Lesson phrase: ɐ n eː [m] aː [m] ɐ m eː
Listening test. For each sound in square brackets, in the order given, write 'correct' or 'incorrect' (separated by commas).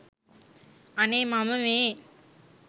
correct, correct